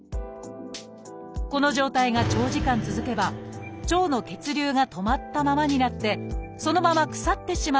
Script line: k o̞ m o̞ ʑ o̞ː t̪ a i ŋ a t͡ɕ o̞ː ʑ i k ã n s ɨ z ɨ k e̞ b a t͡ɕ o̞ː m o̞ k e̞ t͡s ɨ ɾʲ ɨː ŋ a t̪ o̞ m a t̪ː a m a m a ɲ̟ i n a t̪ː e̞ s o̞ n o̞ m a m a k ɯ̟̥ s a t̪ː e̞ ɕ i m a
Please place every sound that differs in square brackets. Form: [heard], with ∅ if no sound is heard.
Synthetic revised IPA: k o̞ [n] o̞ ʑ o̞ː t̪ a i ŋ a t͡ɕ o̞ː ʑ i k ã n [t͡s] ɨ z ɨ k e̞ b a t͡ɕ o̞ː [n] o̞ k e̞ t͡s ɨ ɾʲ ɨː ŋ a t̪ o̞ m a t̪ː a m a m a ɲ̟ i n a t̪ː e̞ s o̞ n o̞ m a m a k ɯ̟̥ s a t̪ː e̞ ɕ i m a